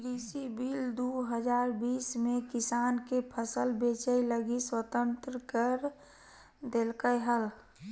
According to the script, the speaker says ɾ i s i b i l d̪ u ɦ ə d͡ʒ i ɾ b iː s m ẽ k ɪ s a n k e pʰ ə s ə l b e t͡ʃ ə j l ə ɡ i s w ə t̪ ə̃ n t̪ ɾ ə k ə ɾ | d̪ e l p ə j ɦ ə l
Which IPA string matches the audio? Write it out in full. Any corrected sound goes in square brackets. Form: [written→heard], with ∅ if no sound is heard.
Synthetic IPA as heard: ɾ i s i b i l d̪ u ɦ ə d͡ʒ [i→a] ɾ b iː s m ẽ k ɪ s a n k e pʰ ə s ə l b e t͡ʃ ə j l ə ɡ i s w ə t̪ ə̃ n t̪ ɾ ə k ə ɾ | d̪ e l [p→k] ə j ɦ ə l